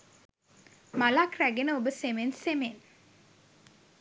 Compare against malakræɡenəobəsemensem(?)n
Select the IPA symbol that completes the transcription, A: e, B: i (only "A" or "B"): A